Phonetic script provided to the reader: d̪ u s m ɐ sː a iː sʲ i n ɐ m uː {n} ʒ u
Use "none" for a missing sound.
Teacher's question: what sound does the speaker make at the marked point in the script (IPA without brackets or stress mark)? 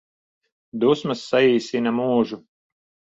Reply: none